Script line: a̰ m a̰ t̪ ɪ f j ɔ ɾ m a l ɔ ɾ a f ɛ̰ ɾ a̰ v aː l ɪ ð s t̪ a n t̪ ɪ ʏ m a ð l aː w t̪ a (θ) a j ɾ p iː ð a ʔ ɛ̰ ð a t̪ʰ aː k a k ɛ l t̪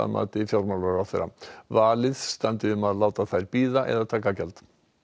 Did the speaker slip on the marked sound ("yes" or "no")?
no